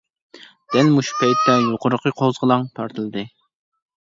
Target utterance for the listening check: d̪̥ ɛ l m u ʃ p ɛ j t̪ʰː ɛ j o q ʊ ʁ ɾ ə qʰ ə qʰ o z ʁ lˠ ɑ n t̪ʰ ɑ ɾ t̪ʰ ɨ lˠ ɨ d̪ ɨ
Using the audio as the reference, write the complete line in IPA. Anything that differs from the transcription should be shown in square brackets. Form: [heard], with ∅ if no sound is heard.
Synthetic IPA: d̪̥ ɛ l m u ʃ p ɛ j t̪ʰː ɛ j o q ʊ [∅] ɾ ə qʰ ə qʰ o z ʁ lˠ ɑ [ŋ] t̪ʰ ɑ ɾ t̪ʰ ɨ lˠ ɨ d̪ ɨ